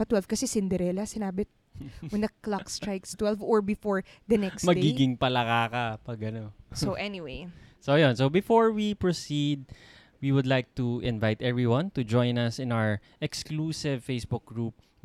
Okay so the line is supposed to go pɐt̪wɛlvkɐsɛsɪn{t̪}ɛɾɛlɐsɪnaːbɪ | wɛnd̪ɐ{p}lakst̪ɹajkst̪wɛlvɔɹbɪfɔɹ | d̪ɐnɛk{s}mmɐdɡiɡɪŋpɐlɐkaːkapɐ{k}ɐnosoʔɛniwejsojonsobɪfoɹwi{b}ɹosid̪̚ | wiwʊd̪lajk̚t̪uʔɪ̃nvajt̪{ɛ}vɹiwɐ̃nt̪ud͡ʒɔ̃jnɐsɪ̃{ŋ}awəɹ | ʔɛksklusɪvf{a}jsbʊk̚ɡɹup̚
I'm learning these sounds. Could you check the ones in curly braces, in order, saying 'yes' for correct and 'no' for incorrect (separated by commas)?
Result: no, no, yes, no, no, yes, no, no